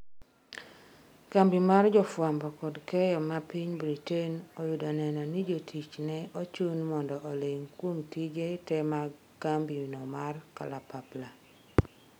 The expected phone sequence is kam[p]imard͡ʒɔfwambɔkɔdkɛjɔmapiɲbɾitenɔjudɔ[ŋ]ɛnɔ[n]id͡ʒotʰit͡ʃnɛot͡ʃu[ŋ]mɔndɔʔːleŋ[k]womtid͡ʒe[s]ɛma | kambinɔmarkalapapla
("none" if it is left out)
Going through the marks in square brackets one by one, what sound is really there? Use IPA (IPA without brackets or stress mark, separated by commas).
b, n, n, n, k, t